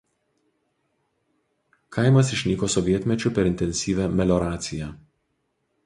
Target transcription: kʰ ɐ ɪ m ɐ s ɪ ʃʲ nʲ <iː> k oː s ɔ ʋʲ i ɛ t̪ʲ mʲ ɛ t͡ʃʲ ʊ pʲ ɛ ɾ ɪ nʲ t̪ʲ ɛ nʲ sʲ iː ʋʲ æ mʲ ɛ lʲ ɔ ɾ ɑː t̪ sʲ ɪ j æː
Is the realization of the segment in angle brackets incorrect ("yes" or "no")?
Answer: no